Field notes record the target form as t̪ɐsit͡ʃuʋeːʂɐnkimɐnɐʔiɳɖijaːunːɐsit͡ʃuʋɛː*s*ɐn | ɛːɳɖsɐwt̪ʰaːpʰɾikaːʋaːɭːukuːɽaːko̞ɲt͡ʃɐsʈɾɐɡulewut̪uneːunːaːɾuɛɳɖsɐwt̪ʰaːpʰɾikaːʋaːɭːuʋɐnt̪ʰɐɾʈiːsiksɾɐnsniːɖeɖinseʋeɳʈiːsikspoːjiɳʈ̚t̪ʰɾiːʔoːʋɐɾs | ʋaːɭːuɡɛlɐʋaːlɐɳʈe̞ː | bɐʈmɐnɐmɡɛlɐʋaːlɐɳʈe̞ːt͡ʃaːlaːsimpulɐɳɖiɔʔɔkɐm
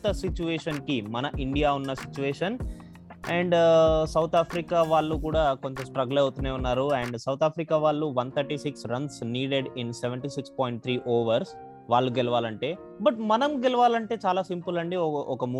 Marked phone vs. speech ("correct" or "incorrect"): incorrect